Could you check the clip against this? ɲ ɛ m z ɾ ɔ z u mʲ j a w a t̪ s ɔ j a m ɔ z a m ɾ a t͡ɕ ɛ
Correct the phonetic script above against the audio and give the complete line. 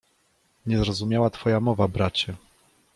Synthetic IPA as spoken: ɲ ɛ z ɾ ɔ z u mʲ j a w a t̪ f ɔ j a m ɔ v a b ɾ a t͡ɕ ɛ